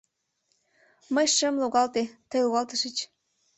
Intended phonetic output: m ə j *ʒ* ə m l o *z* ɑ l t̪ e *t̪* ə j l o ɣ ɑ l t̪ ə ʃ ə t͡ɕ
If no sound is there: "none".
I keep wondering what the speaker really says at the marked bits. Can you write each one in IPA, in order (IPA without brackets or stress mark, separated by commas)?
ʃ, ɣ, t̪